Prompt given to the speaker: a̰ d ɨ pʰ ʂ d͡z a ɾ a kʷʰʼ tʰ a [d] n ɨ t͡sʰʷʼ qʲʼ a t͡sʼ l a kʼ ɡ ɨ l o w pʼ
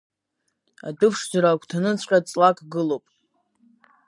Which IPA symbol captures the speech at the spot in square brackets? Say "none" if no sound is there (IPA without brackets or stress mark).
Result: none